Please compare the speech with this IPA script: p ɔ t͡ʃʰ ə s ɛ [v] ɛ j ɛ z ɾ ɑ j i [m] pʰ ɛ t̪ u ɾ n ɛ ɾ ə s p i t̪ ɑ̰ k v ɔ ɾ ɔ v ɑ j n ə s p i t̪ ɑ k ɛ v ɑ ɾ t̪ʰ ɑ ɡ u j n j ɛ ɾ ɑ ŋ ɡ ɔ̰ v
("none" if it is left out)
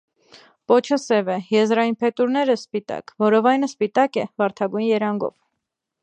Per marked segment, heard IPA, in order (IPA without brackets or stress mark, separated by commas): v, n